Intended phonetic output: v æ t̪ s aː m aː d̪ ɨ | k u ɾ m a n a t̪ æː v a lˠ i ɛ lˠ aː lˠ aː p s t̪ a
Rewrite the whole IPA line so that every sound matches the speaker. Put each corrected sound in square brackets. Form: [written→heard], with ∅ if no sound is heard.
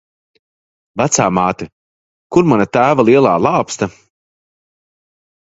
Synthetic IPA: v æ t̪ s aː m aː [d̪→t̪] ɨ | k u ɾ m a n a t̪ æː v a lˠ i ɛ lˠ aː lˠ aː p s t̪ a